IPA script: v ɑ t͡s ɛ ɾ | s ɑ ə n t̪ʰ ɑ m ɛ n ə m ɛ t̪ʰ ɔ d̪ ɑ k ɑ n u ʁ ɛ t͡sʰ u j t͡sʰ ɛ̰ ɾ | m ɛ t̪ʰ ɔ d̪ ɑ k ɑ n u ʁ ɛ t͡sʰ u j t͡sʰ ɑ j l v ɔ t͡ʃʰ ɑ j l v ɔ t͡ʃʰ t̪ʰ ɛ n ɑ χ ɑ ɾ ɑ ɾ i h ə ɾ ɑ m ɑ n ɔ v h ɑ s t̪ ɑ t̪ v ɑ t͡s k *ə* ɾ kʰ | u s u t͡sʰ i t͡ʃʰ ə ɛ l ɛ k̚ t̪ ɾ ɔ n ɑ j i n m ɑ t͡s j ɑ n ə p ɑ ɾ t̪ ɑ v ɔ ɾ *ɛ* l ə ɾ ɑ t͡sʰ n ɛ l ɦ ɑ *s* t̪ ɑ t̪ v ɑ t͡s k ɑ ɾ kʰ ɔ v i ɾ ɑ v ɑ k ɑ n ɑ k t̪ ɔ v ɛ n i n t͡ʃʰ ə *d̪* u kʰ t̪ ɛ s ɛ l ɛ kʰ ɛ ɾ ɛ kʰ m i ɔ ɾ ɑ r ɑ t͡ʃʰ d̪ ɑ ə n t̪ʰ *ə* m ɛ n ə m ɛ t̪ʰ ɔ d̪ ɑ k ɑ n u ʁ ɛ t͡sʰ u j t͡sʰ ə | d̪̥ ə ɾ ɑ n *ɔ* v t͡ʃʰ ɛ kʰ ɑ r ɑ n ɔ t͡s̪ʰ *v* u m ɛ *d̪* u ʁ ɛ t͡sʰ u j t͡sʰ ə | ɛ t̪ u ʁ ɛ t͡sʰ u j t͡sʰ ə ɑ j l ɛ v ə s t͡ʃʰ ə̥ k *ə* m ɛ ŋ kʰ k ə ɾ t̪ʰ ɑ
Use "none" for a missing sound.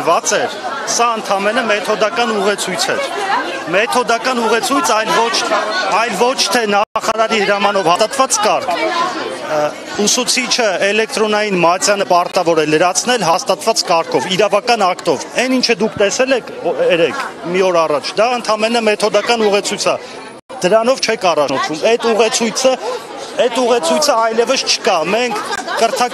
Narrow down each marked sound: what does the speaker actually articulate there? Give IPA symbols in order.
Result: ɑ, ɛ, s, d̪, ɑ, ɔ, v, t̪, ɑ

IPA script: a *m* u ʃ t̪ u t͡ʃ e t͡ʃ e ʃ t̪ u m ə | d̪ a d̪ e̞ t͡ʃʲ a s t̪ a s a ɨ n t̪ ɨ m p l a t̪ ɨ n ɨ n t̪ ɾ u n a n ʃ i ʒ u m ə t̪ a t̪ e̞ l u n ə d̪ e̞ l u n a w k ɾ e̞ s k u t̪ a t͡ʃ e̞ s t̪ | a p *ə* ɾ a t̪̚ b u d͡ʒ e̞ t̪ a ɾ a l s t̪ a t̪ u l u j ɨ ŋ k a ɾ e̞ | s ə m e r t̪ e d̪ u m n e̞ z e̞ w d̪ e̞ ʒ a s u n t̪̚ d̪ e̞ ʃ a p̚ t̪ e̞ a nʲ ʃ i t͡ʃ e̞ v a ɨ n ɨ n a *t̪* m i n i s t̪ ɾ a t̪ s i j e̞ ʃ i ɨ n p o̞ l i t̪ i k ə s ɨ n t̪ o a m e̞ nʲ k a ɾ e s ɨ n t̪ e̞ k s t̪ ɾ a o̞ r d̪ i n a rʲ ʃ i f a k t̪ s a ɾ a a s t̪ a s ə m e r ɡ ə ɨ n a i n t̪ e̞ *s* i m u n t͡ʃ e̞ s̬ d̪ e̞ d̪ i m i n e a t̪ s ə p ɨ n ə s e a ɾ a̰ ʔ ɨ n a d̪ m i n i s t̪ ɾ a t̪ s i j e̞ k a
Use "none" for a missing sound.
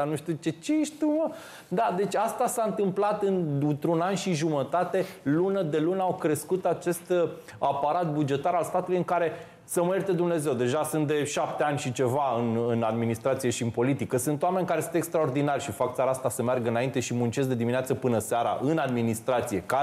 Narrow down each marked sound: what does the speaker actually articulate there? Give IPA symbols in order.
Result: n, a, d̪, ʃ

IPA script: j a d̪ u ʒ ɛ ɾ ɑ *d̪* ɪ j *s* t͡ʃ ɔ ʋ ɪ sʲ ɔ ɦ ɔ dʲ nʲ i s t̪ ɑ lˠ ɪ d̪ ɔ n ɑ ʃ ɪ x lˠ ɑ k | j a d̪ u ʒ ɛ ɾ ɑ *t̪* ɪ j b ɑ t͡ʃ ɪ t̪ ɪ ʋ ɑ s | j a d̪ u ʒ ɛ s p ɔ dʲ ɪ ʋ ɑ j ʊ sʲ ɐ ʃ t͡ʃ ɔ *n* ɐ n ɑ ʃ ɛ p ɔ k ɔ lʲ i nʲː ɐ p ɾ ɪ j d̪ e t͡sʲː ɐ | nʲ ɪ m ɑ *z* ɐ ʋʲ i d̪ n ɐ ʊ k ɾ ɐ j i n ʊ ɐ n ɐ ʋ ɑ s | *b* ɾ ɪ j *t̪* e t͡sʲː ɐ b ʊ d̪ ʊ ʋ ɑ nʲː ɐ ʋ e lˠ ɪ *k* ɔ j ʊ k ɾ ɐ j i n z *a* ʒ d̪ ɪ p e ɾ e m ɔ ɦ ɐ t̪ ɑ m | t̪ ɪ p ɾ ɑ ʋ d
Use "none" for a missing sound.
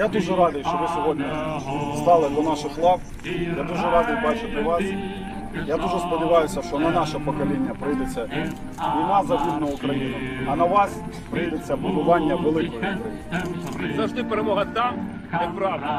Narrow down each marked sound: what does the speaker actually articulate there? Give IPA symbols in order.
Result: d̪, ʃ, d̪, n, z, p, d̪, k, ɐ

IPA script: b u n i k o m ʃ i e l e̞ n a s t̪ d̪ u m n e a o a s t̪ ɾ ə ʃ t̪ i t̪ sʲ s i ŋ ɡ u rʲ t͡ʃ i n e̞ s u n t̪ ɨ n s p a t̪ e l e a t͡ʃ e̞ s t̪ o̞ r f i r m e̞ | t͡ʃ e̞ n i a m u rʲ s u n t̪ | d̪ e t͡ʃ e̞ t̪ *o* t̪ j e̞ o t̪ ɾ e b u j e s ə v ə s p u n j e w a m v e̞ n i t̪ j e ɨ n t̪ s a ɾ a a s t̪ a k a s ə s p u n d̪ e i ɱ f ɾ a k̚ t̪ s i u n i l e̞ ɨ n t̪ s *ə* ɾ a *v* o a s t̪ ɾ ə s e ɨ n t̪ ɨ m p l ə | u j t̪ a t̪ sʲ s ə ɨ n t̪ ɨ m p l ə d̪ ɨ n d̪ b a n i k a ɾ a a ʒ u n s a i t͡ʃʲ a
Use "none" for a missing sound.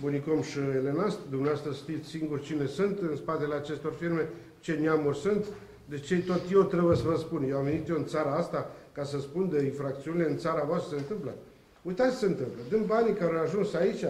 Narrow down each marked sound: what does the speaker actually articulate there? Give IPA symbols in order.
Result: o, a, v

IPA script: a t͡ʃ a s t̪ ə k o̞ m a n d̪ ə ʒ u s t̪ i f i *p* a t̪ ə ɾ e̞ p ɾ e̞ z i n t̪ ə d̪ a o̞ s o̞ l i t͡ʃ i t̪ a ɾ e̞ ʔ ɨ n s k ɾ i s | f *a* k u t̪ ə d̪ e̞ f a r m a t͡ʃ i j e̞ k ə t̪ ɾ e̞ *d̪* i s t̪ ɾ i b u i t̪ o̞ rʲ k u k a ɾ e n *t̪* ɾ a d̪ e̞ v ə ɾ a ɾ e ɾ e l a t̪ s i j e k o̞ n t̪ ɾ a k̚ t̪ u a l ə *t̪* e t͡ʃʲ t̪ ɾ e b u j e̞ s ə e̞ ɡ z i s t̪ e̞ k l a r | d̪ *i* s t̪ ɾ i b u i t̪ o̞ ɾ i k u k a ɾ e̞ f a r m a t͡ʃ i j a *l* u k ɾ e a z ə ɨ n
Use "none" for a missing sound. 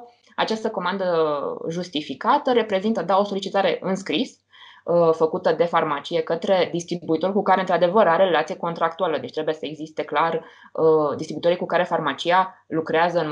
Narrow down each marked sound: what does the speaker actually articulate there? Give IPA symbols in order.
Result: k, ə, d̪, t̪, d̪, i, l

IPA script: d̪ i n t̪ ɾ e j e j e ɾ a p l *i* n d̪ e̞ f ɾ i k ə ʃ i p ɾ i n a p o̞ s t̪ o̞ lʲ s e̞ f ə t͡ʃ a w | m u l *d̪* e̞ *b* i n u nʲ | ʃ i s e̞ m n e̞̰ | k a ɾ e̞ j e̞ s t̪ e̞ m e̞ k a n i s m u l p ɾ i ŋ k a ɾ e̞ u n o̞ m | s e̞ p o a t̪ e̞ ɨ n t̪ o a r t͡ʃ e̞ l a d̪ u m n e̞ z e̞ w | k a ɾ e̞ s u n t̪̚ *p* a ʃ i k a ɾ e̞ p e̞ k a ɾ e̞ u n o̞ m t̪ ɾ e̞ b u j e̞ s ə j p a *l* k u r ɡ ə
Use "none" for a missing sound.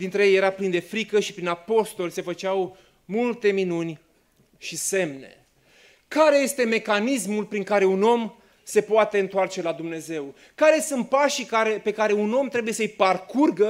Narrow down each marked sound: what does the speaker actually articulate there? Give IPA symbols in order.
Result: i, t̪, m, p, r

